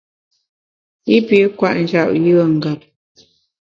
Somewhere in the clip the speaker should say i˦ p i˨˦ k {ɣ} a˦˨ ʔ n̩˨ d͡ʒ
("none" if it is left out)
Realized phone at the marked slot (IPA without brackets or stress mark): w